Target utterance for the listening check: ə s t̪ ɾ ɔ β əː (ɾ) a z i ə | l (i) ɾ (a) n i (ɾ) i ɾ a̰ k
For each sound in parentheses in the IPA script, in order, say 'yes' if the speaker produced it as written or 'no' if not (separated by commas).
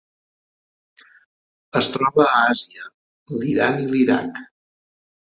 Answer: no, yes, yes, no